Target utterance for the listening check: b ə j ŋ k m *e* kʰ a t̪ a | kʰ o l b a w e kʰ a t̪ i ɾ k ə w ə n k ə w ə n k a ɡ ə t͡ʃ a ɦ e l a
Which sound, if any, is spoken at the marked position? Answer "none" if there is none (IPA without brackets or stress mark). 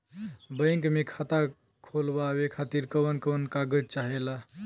e